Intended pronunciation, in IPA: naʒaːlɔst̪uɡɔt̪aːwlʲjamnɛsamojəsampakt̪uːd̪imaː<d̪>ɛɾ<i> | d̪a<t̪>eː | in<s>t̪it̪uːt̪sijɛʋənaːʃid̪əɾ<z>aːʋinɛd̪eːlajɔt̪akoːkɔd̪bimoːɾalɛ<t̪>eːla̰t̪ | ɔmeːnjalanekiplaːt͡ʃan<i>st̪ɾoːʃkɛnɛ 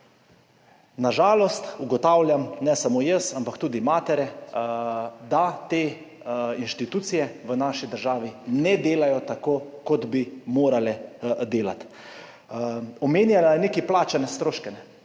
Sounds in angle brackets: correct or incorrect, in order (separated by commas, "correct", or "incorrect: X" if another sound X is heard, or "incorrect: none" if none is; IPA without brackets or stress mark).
incorrect: t̪, incorrect: ɛ, correct, incorrect: ʃ, incorrect: ʒ, incorrect: d̪, incorrect: ɛ